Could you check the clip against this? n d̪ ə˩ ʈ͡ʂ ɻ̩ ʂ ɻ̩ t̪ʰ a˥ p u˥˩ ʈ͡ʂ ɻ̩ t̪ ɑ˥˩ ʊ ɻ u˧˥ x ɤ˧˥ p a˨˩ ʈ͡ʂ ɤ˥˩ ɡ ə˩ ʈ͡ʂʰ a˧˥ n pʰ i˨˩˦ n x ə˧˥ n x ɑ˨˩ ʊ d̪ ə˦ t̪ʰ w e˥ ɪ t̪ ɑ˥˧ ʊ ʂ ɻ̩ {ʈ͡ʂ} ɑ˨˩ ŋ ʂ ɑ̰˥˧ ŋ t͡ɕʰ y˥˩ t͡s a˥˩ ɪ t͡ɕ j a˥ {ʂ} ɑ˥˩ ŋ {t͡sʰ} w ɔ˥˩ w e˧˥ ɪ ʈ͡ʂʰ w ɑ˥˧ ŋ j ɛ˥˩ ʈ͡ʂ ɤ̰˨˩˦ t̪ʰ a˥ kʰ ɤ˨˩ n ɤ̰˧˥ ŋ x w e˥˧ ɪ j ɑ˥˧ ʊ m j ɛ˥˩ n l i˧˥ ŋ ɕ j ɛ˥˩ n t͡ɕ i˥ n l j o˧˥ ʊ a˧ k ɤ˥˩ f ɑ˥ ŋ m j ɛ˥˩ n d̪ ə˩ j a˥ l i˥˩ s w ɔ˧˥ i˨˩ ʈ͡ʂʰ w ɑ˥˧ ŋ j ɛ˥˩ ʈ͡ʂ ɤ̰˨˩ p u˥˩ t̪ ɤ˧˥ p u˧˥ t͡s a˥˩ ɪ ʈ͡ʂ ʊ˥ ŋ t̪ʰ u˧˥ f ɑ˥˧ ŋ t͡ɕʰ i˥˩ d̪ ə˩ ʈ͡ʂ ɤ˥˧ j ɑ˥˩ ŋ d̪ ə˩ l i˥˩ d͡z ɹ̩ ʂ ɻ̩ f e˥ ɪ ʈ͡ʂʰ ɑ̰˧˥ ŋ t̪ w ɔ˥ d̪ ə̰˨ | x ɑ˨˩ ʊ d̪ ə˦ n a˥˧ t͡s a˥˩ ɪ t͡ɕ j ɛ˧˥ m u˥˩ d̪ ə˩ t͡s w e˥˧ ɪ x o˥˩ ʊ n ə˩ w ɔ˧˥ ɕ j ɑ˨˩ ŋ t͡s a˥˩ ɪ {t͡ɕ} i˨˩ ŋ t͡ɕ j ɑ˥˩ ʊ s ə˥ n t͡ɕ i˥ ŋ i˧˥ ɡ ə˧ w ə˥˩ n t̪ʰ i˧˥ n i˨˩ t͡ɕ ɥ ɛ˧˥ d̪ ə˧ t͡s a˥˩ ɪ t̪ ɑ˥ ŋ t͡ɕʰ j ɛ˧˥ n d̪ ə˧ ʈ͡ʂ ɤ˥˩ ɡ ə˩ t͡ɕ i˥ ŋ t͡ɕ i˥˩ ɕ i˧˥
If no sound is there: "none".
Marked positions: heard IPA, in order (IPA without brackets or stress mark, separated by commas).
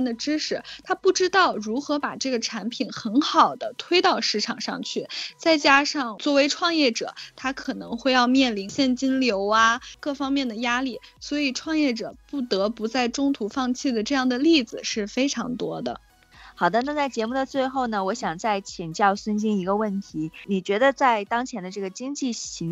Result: ʈ͡ʂʰ, ʂ, t͡s, t͡ɕʰ